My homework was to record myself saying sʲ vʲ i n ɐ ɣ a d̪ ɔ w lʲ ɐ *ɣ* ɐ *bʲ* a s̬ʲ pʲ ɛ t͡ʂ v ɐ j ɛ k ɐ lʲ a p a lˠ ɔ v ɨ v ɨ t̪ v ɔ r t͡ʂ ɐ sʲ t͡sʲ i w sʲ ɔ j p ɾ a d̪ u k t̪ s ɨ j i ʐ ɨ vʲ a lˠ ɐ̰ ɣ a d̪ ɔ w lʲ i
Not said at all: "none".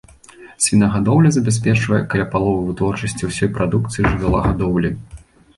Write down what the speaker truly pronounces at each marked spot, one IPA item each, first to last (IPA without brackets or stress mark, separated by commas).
z, bʲ